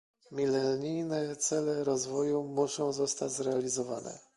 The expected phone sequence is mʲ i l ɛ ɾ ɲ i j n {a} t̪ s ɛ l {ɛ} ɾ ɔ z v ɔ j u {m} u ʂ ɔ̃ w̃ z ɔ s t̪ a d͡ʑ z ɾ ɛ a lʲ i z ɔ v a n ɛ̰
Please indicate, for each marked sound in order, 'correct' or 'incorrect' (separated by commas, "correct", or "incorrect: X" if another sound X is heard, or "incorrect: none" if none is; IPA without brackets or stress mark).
incorrect: ɛ, correct, correct